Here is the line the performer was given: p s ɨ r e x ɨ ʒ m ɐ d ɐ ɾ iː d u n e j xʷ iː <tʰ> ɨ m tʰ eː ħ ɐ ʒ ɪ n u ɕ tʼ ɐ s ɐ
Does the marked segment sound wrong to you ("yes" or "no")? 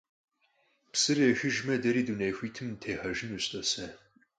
no